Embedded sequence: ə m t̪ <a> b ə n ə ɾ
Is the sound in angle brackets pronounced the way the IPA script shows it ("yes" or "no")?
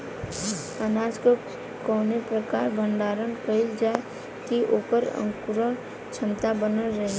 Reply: yes